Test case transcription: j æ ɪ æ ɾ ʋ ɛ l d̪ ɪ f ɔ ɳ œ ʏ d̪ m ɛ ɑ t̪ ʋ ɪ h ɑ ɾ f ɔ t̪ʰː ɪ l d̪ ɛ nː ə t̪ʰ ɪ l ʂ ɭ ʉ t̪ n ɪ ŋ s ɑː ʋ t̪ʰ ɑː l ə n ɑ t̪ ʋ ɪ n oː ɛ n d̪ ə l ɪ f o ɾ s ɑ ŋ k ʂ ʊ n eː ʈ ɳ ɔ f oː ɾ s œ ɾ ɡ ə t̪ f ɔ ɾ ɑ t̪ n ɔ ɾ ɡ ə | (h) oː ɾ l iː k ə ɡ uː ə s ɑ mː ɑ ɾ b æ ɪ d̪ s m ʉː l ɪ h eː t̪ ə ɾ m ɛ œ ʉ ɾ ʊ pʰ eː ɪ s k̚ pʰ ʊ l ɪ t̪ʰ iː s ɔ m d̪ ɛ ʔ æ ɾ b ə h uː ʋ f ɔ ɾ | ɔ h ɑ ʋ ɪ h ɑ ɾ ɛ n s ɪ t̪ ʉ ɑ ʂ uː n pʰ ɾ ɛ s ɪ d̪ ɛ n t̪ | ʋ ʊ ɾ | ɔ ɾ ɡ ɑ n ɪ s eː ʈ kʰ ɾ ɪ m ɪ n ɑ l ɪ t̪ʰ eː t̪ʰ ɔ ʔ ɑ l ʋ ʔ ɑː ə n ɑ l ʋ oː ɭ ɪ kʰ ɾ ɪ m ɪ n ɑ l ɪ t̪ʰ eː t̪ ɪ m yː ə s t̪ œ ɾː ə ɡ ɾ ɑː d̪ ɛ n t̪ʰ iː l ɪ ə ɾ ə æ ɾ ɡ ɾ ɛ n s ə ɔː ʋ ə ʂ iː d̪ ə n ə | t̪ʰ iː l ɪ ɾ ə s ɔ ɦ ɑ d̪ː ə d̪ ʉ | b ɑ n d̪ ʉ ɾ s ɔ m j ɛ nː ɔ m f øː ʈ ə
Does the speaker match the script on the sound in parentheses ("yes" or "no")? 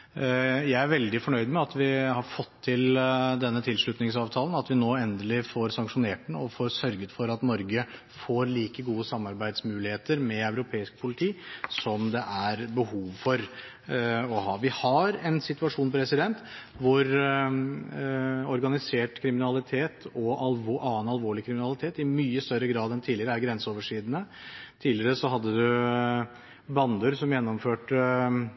no